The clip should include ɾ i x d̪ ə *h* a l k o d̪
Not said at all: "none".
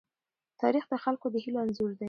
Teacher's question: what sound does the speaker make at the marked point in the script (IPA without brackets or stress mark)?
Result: x